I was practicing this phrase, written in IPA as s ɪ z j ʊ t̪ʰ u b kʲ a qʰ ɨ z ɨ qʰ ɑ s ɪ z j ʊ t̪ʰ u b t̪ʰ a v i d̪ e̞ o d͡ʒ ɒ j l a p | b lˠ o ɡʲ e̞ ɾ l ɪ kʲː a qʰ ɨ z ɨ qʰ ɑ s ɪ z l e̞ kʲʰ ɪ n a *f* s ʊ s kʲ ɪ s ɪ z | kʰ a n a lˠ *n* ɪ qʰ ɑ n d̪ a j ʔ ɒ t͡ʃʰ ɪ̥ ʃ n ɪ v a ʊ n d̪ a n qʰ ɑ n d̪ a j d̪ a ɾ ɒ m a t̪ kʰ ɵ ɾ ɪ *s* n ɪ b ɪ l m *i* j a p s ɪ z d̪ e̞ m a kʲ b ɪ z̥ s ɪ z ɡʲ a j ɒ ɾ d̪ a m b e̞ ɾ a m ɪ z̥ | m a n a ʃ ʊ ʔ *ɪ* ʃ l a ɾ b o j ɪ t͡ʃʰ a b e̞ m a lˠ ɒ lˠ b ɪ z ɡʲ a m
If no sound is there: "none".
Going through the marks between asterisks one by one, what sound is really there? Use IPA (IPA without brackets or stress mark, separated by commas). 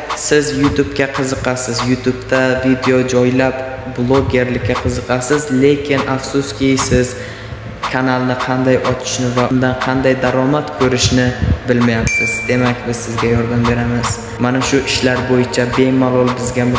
f, n, ʃ, a, ɪ